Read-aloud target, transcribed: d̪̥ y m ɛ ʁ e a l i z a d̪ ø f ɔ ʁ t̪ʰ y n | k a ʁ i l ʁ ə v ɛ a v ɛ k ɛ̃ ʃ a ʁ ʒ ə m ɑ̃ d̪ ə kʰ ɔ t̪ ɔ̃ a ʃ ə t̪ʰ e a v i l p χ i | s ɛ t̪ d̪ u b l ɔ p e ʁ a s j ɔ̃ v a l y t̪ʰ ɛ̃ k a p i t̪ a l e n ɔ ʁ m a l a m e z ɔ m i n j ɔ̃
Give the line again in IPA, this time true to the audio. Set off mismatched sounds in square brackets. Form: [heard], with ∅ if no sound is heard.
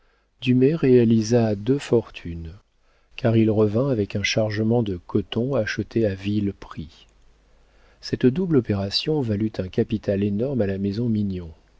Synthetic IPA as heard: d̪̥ y m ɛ ʁ e a l i z a d̪ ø f ɔ ʁ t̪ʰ y n | k a ʁ i l ʁ ə v [ɛ̃] a v ɛ k ɛ̃ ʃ a ʁ ʒ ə m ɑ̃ d̪ ə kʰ ɔ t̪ ɔ̃ a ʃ ə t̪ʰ e a v i l p χ i | s ɛ t̪ d̪ u b l ɔ p e ʁ a s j ɔ̃ v a l y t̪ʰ ɛ̃ k a p i t̪ a l e n ɔ ʁ m a l a m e z [ɔ̃] m i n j ɔ̃

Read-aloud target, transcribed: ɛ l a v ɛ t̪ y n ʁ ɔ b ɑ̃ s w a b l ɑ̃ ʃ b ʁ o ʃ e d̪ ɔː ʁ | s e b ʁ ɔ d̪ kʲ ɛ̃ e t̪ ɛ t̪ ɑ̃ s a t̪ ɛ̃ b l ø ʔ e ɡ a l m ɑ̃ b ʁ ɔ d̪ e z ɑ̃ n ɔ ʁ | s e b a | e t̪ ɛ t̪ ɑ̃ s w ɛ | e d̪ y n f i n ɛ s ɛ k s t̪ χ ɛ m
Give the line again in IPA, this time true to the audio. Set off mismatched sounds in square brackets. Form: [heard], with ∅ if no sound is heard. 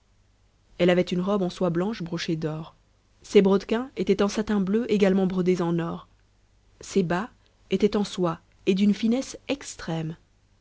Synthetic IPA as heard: ɛ l a v ɛ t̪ y n ʁ ɔ b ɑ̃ s w a b l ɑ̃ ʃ b ʁ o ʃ e d̪ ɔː ʁ | s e b ʁ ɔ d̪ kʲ ɛ̃ e t̪ ɛ t̪ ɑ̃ s a t̪ ɛ̃ b l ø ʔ e ɡ a l m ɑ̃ b ʁ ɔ d̪ e z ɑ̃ n ɔ ʁ | s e b a | e t̪ ɛ t̪ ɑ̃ s w [a] | e d̪ y n f i n ɛ s ɛ k s t̪ χ ɛ m

